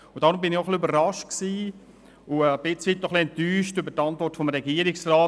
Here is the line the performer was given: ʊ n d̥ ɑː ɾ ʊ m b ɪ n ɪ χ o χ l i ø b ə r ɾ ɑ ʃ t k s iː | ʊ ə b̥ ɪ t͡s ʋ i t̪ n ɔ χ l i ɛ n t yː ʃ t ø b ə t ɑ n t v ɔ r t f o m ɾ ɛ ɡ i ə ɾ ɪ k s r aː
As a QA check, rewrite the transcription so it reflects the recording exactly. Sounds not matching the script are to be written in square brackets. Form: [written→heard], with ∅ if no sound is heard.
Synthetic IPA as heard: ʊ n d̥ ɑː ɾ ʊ m b ɪ n ɪ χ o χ l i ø b ə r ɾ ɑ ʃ t k s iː | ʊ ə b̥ ɪ t͡s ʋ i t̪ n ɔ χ l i ɛ n t yː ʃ t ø b ə t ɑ n t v ɔ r t f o m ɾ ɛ ɡ i ə ɾ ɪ k s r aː